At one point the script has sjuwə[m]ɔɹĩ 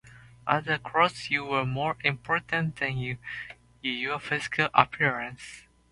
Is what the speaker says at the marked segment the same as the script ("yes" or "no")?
yes